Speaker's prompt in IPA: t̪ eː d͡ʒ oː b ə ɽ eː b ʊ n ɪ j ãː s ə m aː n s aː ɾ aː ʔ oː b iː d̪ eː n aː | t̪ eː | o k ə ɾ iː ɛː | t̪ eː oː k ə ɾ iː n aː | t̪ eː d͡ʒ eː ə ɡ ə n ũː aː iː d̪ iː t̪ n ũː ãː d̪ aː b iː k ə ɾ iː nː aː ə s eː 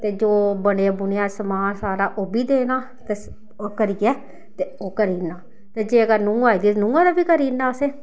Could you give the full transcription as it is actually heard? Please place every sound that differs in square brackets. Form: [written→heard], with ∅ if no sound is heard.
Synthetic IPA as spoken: t̪ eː d͡ʒ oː b ə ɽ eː b ʊ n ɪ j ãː s ə m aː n s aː ɾ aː ʔ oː b iː d̪ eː n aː | t̪ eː | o k ə ɾ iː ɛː | t̪ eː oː k ə ɾ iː n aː | t̪ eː d͡ʒ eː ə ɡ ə n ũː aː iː d̪ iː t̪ n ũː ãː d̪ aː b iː k ə ɾ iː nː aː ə s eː